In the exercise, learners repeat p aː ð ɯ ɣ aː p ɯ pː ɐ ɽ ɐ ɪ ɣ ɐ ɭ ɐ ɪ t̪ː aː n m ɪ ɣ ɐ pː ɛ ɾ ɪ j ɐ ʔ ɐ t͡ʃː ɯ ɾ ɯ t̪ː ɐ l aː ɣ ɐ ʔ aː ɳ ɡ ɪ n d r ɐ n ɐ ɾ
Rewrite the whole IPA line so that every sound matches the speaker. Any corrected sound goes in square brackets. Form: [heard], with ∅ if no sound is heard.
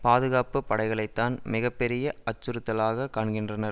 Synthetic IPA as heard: p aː ð ɯ ɣ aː p ɯ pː ɐ ɽ ɐ ɪ ɣ ɐ ɭ ɐ ɪ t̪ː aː n m ɪ ɣ ɐ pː ɛ ɾ ɪ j ɐ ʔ ɐ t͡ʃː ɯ ɾ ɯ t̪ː ɐ l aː ɣ ɐ [k] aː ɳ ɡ ɪ n d r ɐ n ɐ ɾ